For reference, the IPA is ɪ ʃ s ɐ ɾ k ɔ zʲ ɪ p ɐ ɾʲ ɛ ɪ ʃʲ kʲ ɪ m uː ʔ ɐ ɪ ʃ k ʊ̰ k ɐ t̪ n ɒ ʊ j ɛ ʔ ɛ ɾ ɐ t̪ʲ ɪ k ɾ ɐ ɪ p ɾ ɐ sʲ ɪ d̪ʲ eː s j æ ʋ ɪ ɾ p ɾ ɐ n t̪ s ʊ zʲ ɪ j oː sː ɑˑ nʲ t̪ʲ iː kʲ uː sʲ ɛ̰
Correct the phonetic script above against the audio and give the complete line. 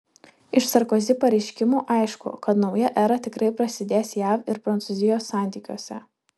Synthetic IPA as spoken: ɪ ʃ s ɐ ɾ k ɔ zʲ ɪ p ɐ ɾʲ ɛ ɪ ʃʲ kʲ ɪ m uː ʔ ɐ ɪ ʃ k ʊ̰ k ɐ t̪ n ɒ ʊ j ɛ ʔ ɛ ɾ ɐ t̪ʲ ɪ k ɾ ɐ ɪ p ɾ ɐ sʲ ɪ d̪ʲ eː s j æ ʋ ɪ ɾ p ɾ ɐ n t̪ s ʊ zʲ ɪ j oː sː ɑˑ nʲ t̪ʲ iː kʲ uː sʲ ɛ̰